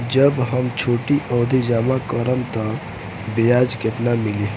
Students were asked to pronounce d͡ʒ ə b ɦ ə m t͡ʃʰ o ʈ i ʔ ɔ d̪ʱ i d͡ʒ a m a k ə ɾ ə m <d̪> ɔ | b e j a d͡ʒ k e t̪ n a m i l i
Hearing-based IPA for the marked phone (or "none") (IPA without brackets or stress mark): t̪